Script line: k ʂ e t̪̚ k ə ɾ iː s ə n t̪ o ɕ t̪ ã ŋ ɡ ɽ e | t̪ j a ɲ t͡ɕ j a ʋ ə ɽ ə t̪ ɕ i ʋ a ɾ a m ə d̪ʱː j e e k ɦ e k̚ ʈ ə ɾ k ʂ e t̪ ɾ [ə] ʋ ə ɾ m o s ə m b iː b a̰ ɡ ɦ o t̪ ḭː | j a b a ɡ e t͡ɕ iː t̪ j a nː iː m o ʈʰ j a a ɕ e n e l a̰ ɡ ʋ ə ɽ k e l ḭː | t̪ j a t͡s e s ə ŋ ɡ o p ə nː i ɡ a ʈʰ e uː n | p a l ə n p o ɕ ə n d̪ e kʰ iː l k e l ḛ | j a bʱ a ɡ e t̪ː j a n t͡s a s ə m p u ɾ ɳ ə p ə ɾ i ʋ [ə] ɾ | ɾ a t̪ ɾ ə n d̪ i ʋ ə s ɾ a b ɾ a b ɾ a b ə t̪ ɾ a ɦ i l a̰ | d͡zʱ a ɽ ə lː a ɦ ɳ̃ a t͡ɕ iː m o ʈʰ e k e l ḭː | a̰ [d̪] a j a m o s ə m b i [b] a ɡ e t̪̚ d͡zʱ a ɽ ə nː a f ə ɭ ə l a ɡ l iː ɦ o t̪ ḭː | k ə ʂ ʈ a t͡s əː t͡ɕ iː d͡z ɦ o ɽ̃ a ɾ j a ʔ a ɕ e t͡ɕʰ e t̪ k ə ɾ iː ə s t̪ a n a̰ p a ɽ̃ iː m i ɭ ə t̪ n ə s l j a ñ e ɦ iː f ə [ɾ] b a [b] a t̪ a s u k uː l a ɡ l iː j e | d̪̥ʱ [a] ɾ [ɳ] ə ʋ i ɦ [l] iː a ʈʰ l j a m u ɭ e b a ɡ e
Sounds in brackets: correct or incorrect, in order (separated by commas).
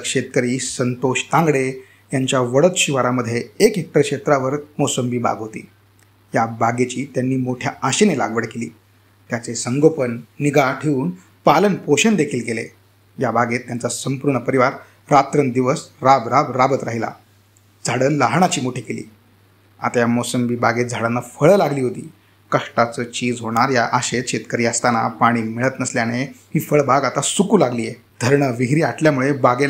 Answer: incorrect, incorrect, incorrect, correct, incorrect, incorrect, incorrect, correct, incorrect